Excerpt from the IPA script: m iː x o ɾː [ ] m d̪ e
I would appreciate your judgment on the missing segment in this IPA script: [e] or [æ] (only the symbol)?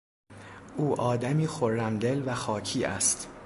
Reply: æ